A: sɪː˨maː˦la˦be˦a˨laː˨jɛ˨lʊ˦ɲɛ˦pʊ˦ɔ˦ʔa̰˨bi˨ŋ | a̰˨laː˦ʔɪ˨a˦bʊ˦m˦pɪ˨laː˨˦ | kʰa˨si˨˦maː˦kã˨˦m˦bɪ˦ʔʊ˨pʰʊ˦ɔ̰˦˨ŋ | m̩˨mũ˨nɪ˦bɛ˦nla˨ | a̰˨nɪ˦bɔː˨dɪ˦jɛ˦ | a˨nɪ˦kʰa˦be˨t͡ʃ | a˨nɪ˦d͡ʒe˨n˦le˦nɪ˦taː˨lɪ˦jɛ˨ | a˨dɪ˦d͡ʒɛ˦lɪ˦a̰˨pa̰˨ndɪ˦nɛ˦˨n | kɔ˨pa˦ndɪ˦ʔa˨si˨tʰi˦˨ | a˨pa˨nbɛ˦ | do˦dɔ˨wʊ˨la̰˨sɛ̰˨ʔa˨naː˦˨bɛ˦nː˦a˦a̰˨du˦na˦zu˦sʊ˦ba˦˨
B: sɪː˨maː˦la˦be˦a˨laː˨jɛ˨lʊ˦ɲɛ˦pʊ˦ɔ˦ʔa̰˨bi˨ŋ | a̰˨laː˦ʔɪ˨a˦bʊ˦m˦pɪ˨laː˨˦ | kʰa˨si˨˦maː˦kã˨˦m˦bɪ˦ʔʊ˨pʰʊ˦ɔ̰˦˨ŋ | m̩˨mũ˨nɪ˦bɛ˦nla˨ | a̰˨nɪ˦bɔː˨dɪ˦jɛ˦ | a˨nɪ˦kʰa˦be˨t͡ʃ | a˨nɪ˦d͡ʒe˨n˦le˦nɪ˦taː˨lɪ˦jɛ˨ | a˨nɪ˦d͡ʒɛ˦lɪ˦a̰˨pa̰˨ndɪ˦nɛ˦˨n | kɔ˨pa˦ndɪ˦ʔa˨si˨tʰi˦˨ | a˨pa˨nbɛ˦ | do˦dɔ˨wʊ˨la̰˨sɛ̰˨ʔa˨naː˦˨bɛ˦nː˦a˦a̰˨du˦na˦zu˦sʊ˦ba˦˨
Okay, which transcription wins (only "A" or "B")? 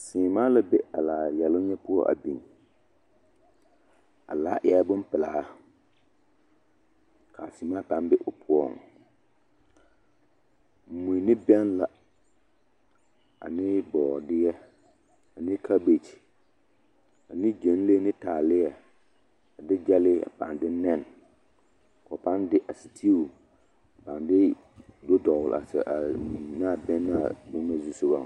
A